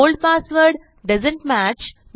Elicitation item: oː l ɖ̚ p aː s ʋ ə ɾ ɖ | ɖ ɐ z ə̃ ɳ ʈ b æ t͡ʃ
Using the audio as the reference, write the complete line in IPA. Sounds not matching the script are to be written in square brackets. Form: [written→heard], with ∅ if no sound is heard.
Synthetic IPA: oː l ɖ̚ p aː s ʋ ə ɾ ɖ | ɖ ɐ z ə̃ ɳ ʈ [b→m] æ t͡ʃ